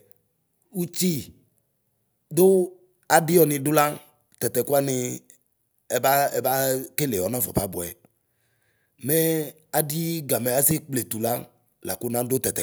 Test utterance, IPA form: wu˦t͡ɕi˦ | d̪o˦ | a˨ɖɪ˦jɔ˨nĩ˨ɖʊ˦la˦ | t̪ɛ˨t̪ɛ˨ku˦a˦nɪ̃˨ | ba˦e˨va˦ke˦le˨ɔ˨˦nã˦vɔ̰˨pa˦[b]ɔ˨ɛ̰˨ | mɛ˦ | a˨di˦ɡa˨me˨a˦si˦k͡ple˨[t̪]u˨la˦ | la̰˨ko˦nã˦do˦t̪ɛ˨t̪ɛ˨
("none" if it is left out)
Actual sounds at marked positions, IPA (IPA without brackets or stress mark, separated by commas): b, t̪